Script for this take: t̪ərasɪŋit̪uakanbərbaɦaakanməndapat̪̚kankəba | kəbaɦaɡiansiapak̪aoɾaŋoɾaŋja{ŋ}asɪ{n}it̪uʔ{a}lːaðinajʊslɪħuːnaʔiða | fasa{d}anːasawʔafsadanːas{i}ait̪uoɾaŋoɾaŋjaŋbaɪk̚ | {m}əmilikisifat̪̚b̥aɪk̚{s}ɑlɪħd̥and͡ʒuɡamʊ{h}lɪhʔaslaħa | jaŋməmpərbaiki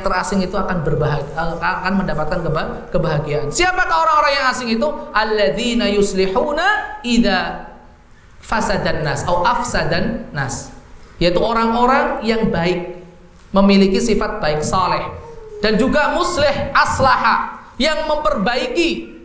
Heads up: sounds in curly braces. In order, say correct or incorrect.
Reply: correct, incorrect: ŋ, correct, correct, incorrect: j, correct, correct, incorrect: s

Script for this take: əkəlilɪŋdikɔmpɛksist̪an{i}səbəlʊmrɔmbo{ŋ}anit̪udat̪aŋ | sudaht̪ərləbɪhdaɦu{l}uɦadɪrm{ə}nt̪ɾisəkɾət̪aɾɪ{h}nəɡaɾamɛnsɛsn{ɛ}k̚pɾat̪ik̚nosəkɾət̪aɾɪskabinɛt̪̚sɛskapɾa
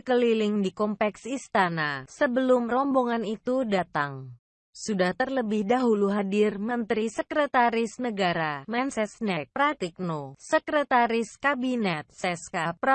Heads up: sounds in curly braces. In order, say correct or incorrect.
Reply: incorrect: a, correct, correct, correct, incorrect: s, correct

